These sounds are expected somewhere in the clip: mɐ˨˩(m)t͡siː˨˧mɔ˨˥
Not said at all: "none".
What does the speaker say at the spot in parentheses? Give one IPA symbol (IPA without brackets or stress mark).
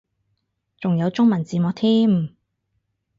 n